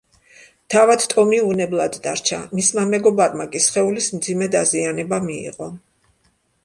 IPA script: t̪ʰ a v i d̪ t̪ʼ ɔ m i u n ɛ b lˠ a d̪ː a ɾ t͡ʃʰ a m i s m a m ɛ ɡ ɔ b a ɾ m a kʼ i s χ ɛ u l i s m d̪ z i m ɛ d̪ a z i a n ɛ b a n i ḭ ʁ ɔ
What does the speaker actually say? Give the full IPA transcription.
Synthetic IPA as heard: t̪ʰ a v a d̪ t̪ʼ ɔ m i u n ɛ b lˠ a d̪ː a ɾ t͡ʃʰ a m i s m a m ɛ ɡ ɔ b a ɾ m a kʼ i s χ ɛ u l i s m d̪ z i m ɛ d̪ a z i a n ɛ b a m i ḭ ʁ ɔ

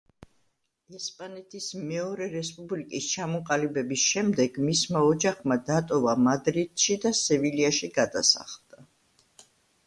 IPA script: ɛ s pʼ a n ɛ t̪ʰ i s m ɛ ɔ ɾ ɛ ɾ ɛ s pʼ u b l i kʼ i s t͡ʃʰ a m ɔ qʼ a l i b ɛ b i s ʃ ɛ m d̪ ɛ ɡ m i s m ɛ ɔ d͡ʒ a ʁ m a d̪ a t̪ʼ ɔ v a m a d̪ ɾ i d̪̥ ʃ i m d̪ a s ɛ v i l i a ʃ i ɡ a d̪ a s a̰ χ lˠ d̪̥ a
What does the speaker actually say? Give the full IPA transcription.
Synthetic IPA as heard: ɛ s pʼ a n ɛ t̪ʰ i s m ɛ ɔ ɾ ɛ ɾ ɛ s pʼ u b l i kʼ i s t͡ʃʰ a m ɔ qʼ a l i b ɛ b i s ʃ ɛ m d̪ ɛ ɡ m i s m a ɔ d͡ʒ a χ m a d̪ a t̪ʼ ɔ v a m a d̪ ɾ i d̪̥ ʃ i d̪ a s ɛ v i l i a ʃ i ɡ a d̪ a s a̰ χ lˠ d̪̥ a

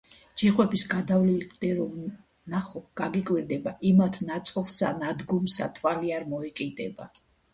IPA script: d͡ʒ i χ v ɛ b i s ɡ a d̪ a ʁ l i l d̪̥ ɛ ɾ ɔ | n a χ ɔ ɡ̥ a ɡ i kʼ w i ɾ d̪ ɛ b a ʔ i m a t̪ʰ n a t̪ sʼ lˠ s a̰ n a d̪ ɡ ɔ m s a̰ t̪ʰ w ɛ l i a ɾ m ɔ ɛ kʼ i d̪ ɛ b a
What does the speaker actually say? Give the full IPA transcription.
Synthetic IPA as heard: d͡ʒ i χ w ɛ b i s ɡ a d̪ a v l i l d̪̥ ɛ ɾ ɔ | n a χ ɔ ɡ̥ a ɡ i kʼ w i ɾ d̪ ɛ b a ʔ i m a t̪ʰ n a t̪ sʼ lˠ s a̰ n a d̪ ɡ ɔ m s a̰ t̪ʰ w a l i a ɾ m ɔ ɛ kʼ i d̪ ɛ b a

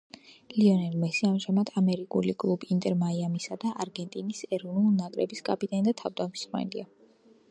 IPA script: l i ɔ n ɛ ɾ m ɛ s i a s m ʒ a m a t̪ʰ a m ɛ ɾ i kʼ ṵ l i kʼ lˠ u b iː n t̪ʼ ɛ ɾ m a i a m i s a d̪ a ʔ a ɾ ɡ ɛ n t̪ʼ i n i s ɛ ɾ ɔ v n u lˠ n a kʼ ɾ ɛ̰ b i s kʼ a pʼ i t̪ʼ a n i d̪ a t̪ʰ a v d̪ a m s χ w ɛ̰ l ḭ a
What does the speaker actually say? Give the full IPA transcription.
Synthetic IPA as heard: l i ɔ n ɛ ɾ m ɛ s i a m ʒ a m a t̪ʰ a m ɛ ɾ i kʼ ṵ l i kʼ lˠ u b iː n t̪ʼ ɛ ɾ m a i a m i s a d̪ a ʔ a ɾ ɡ ɛ n t̪ʼ i n i s ɛ ɾ ɔ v n u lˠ n a kʼ ɾ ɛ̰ b i s kʼ a pʼ i t̪ʼ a n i d̪ a t̪ʰ a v d̪ a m s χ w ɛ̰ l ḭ a

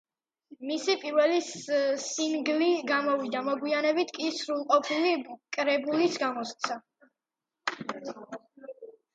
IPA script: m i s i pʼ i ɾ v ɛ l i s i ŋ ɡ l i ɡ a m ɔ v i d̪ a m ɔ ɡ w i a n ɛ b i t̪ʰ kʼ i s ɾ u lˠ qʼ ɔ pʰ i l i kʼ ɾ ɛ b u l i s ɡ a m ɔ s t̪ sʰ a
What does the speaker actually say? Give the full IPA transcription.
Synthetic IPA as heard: m i s i pʼ i ɾ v ɛ l i s i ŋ ɡ l i ɡ a m ɔ v i d̪ a m ɔ ɡ w i a n ɛ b i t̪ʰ kʼ i s ɾ u lˠ qʼ ɔ pʰ i l i kʼ ɾ ɛ b u l i s ɡ a m ɔ s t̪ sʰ a

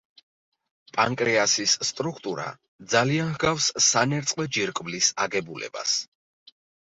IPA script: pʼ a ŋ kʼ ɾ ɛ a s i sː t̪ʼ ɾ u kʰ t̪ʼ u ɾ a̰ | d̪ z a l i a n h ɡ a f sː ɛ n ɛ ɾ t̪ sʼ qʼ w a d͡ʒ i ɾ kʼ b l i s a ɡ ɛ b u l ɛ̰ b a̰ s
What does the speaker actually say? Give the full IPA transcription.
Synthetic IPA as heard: pʼ a ŋ kʼ ɾ ɛ a s i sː t̪ʼ ɾ u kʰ t̪ʼ u ɾ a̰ | d̪ z a l i a n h ɡ a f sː a n ɛ ɾ t̪ sʼ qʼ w ɛ d͡ʒ i ɾ kʼ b l i s a ɡ ɛ b u l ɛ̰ b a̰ s

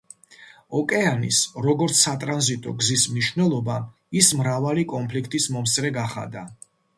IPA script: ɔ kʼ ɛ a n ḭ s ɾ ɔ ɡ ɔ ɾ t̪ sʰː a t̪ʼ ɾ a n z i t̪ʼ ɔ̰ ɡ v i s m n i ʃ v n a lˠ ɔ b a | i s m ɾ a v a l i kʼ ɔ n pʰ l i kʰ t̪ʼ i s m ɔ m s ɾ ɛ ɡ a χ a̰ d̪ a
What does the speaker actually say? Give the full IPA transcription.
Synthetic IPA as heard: ɔ kʼ ɛ a n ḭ s ɾ ɔ ɡ ɔ ɾ t̪ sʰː a t̪ʼ ɾ a n z i t̪ʼ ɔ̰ ɡ z i s m n i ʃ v n ɛ lˠ ɔ b a | i s m ɾ a v a l i kʼ ɔ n pʰ l i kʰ t̪ʼ i s m ɔ m s ɾ ɛ ɡ a χ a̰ d̪ a

